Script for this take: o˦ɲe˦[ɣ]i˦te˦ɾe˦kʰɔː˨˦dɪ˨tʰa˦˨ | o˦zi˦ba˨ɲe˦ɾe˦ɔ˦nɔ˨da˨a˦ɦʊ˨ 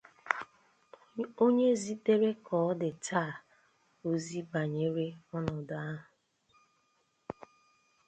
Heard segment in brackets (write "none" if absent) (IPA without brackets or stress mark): z